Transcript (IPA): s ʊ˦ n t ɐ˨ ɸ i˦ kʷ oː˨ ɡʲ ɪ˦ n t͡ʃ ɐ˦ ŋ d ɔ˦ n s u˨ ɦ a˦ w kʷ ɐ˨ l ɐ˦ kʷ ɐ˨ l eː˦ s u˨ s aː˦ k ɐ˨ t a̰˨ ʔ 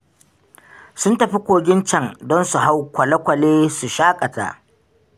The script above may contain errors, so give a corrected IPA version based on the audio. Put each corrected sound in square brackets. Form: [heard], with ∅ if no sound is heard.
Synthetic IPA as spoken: s ʊ˦ n t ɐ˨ ɸ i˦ kʷ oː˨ ɡʲ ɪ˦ n t͡ʃ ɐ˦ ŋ d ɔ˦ n s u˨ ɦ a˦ w kʷ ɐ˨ l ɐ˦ kʷ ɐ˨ l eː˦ s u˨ [ʃ] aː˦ [kʼ] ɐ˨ t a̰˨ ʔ